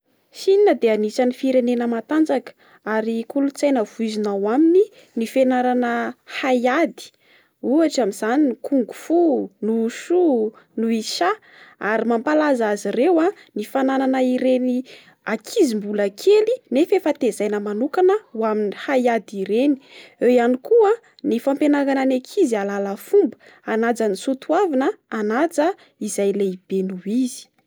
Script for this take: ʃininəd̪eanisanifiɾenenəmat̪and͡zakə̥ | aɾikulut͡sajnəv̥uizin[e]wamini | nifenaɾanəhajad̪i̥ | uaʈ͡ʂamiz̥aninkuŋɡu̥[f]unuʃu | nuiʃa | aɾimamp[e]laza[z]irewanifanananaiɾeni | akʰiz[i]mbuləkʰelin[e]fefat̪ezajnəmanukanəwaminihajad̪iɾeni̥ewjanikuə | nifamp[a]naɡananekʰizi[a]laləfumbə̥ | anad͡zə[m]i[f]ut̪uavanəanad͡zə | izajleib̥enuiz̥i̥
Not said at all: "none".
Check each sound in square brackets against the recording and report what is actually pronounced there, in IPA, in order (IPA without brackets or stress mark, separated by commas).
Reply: a, f, a, z, i, e, e, a, n, s